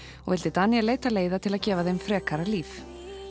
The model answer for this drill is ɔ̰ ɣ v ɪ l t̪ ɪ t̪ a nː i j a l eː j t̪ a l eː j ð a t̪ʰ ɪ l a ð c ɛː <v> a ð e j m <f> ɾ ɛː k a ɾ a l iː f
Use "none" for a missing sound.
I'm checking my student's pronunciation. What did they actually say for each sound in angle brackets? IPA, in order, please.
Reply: v, f

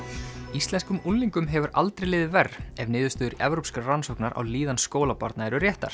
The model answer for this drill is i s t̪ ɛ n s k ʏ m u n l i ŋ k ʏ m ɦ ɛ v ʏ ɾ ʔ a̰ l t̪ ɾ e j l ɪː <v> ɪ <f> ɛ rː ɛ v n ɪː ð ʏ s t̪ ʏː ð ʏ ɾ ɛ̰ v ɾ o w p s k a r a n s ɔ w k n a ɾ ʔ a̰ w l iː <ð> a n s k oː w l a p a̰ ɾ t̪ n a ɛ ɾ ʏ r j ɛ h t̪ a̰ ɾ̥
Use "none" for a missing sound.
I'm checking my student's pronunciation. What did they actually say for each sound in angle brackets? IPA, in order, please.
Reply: ð, v, ð

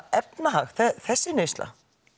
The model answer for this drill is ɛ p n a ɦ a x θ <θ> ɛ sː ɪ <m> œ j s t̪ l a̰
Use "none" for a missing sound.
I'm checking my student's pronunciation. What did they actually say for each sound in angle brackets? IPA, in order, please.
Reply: θ, n

